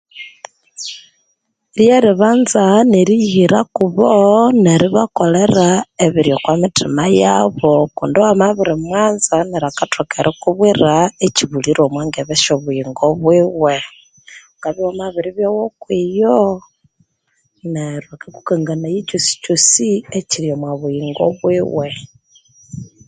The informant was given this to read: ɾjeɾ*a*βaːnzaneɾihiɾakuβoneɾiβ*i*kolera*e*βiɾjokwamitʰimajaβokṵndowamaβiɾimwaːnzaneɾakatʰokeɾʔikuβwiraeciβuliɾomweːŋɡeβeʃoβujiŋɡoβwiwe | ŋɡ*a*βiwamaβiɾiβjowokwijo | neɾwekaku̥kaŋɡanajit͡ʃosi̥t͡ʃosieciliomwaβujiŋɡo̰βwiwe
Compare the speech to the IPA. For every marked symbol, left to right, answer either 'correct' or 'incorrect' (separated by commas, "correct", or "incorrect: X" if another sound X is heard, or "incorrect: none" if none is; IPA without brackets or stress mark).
incorrect: i, incorrect: a, correct, correct